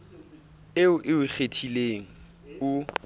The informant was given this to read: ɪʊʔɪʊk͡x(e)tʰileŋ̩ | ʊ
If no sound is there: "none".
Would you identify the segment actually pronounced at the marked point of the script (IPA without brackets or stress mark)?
e